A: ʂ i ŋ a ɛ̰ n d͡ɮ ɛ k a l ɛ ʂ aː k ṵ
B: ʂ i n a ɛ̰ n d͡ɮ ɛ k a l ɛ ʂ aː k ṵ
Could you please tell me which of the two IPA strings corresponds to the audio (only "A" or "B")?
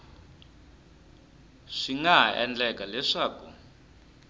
A